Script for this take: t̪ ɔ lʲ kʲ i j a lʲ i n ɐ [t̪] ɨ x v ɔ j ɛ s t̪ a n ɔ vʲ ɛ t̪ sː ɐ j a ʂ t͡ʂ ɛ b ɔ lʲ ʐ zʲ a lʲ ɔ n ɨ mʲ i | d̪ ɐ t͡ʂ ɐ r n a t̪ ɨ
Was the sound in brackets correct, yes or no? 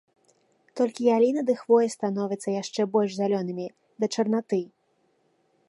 no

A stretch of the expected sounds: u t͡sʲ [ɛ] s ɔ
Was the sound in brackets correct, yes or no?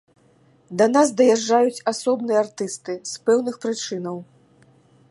no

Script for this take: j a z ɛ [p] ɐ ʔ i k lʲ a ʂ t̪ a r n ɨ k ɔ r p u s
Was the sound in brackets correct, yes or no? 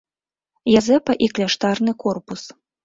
yes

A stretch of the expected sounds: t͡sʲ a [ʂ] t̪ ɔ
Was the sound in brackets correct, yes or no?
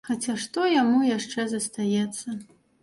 yes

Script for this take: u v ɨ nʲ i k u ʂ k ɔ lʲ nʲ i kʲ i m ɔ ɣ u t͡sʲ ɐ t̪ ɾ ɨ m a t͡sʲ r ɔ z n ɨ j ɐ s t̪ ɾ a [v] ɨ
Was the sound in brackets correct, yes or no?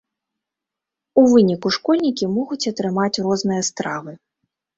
yes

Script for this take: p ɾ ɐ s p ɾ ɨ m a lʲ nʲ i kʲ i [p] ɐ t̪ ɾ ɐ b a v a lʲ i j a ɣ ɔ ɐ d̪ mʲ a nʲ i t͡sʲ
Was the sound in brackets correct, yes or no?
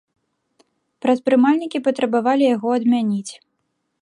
yes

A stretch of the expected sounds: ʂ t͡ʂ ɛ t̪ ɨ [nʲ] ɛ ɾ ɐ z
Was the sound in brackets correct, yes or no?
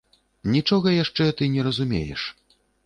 yes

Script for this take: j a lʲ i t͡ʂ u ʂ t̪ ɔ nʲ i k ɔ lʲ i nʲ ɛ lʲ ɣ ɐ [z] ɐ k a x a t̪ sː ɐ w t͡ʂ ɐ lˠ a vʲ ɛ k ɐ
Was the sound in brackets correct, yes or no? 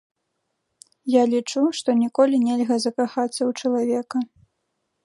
yes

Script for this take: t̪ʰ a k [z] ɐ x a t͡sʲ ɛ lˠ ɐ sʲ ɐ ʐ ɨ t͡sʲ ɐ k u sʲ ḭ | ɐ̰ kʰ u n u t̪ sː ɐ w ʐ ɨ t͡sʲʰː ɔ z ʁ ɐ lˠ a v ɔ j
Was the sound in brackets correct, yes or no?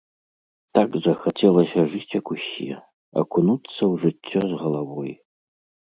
yes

